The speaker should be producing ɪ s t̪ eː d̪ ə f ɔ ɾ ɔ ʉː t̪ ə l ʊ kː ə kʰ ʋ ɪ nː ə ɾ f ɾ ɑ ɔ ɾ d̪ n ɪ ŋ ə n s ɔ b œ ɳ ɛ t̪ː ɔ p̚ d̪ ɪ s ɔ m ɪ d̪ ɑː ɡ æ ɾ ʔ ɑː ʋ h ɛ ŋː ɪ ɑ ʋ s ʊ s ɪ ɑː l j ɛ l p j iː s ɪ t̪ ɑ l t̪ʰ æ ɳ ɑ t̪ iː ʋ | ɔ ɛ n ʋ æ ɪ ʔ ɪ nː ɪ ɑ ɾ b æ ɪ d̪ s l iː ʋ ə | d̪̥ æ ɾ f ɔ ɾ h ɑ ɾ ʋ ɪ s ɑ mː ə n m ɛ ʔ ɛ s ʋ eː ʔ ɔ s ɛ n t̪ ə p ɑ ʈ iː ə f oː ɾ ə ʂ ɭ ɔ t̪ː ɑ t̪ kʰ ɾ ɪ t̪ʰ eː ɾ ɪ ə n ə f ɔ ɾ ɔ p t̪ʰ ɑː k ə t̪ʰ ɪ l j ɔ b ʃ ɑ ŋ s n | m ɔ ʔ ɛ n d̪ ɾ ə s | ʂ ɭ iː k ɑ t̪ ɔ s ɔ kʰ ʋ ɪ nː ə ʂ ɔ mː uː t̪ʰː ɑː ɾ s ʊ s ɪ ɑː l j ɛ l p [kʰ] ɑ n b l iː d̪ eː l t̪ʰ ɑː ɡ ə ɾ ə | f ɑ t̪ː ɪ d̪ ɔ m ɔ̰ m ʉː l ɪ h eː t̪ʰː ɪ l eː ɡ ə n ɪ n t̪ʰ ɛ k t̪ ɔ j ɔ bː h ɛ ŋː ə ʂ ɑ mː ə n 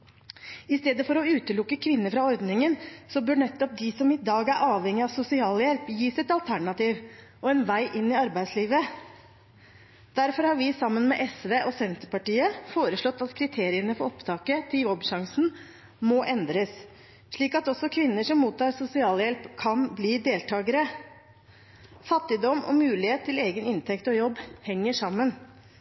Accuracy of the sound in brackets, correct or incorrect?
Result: correct